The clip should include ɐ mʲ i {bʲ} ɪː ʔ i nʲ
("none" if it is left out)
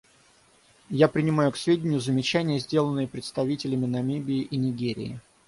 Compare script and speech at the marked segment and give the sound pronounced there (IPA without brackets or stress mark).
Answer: bʲ